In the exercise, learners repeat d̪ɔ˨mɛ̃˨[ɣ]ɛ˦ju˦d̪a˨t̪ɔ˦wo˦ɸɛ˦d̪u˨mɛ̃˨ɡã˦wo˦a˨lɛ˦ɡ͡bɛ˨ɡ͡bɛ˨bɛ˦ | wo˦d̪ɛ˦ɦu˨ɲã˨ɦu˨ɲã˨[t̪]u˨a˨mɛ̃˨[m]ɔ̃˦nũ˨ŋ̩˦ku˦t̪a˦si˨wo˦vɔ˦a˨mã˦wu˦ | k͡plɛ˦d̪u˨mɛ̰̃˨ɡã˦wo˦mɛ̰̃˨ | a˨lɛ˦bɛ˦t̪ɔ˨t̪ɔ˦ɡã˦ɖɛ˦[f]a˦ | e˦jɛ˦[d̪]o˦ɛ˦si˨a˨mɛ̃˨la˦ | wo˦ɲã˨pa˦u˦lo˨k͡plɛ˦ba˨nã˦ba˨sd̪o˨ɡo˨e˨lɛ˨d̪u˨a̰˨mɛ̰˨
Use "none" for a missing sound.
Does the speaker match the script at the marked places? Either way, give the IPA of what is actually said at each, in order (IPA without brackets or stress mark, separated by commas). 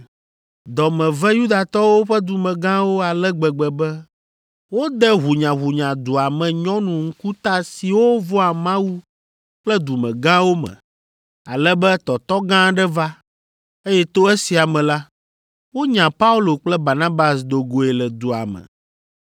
v, d̪, ɲ, v, t̪